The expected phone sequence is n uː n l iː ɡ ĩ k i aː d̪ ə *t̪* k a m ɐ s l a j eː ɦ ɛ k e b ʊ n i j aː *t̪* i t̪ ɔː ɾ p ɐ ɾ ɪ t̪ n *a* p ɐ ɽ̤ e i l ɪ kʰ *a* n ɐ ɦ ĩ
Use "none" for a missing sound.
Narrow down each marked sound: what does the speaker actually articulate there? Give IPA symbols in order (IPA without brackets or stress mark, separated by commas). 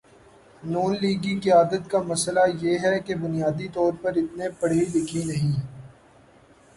t̪, d̪, e, i